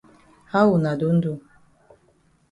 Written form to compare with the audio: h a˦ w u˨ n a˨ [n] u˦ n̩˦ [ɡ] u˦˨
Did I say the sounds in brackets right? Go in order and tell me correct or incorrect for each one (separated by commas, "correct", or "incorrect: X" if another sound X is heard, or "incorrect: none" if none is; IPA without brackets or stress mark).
incorrect: d, incorrect: d